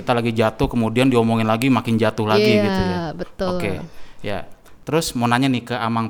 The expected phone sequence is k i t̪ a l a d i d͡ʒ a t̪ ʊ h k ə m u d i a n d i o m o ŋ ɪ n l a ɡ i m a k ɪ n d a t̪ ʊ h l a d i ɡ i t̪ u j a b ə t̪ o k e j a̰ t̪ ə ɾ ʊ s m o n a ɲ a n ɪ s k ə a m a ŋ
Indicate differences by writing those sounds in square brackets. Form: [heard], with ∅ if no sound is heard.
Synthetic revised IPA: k i t̪ a l a [ɡ] i d͡ʒ a t̪ ʊ h k ə m u d i a n d i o m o ŋ ɪ n l a ɡ i m a k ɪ n [d͡ʒ] a t̪ ʊ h l a [ɡ] i ɡ i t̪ u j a b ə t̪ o k e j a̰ t̪ ə ɾ ʊ s m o n a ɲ a n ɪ [h] k ə a m a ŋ